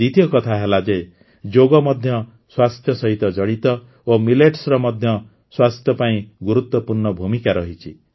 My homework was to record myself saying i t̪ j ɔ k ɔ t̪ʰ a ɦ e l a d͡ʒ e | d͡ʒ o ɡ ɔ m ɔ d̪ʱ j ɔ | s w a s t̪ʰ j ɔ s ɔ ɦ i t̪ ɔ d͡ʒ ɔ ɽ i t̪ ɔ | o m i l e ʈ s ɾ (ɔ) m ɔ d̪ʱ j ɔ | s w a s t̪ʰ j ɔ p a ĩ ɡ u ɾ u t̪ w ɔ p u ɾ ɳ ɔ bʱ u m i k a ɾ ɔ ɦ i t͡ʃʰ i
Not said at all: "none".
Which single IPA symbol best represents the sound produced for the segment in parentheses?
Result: ɔ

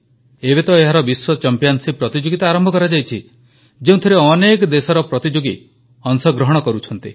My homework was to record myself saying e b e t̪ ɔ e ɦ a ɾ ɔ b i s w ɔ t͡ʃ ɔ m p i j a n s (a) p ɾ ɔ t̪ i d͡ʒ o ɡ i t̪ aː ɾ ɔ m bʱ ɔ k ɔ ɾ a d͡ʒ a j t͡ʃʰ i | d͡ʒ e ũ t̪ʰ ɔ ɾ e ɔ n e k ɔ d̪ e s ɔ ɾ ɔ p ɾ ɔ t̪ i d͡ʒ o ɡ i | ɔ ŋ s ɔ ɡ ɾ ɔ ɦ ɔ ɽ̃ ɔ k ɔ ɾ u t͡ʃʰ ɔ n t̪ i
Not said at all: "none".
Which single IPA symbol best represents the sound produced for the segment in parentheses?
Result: i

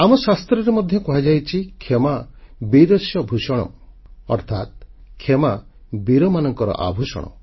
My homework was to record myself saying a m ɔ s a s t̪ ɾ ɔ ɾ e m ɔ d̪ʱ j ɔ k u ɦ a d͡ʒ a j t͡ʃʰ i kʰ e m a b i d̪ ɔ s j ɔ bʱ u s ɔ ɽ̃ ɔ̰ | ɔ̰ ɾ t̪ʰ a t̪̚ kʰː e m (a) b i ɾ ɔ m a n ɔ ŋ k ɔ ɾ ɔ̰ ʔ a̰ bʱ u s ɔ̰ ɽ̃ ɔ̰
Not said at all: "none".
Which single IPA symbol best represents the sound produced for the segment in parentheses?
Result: a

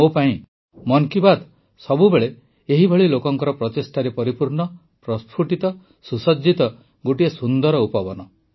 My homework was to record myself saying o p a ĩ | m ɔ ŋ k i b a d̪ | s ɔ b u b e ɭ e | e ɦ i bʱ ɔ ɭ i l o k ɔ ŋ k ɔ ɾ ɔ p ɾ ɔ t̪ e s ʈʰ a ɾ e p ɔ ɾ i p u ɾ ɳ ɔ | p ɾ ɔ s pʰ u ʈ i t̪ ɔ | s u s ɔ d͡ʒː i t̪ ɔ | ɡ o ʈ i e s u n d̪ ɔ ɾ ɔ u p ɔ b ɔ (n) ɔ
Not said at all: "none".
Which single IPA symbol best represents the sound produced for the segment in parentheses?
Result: n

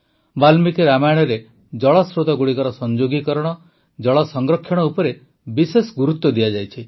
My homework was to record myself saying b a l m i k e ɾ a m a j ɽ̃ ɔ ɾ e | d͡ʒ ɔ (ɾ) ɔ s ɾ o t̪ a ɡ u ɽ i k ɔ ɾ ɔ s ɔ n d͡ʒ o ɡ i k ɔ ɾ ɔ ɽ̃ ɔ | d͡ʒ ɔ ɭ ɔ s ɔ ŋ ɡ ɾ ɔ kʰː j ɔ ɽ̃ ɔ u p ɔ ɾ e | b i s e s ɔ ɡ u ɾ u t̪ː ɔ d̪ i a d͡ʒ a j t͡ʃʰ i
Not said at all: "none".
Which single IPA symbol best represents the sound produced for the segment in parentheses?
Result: ɭ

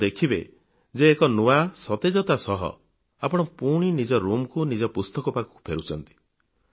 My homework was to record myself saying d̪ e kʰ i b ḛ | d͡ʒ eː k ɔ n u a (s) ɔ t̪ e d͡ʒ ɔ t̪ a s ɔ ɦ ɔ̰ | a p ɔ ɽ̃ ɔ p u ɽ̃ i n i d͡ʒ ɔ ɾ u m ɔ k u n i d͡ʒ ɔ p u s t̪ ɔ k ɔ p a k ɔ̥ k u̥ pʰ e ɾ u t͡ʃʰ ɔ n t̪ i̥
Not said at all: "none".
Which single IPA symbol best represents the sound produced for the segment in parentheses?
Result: s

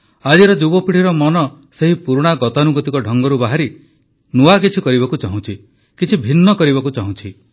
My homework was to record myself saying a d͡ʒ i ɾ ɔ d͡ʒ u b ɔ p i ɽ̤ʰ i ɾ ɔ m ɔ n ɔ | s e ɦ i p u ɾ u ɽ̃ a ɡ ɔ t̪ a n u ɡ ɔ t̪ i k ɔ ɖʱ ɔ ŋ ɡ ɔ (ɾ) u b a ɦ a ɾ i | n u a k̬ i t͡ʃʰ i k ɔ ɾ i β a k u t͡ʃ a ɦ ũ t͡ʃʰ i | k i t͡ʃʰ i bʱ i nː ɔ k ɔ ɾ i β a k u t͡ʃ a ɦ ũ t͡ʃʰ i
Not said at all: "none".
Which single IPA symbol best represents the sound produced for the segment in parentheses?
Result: ɾ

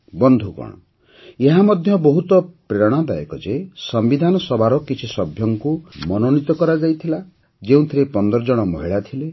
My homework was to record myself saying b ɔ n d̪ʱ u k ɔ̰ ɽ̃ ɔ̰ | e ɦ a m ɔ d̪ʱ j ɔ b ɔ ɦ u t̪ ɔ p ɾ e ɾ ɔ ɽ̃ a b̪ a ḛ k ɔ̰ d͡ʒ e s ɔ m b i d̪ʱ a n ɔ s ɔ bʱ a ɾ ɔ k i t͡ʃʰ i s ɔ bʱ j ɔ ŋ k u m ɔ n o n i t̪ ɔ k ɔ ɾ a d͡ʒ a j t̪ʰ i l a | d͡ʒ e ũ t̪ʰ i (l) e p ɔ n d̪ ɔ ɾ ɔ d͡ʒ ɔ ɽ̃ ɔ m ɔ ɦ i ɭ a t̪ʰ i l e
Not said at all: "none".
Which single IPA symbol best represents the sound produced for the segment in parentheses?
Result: ɾ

